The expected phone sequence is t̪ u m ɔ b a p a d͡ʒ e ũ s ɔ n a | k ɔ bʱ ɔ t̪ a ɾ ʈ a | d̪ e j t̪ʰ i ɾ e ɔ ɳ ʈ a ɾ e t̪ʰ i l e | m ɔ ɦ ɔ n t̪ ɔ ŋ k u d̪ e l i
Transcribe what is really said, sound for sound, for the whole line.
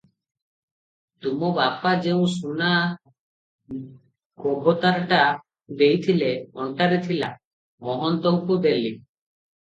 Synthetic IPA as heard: t̪ u m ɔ b a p a d͡ʒ e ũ s u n a | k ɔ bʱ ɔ t̪ a ɾ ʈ a | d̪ e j t̪ʰ i l e ɔ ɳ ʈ a ɾ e t̪ʰ i l a | m ɔ ɦ ɔ n t̪ ɔ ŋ k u d̪ e l i